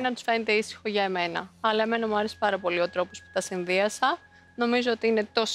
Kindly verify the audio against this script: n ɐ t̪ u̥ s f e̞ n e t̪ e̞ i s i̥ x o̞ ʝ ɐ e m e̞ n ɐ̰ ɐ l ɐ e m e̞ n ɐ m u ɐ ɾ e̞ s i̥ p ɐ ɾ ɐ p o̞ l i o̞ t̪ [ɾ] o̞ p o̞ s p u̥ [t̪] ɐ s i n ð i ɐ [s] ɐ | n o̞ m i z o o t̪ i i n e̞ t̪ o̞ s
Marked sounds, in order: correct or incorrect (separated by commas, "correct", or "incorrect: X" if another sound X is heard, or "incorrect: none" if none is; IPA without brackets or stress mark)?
correct, correct, correct